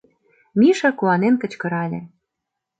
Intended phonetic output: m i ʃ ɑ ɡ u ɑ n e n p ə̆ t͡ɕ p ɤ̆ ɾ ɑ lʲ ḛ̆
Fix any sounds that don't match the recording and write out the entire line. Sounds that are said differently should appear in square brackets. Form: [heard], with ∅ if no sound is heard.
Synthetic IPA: m i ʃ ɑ [k] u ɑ n e n [k] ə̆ t͡ɕ [k] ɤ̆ ɾ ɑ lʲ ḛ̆